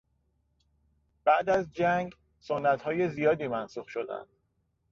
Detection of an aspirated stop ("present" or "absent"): absent